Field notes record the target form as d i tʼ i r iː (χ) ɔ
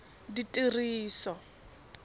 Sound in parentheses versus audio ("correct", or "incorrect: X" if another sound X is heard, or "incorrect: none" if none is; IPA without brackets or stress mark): incorrect: s